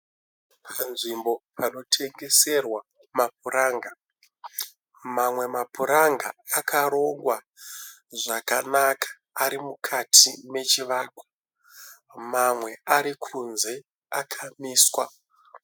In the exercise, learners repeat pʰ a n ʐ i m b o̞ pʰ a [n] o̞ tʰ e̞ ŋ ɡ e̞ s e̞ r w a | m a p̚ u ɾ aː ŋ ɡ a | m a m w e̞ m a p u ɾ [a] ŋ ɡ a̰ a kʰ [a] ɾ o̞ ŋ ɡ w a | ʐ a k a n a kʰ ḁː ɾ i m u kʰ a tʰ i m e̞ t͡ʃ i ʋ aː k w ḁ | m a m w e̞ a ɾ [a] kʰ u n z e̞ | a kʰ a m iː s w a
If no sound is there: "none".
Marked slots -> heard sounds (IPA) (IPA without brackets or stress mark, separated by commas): n, a, a, i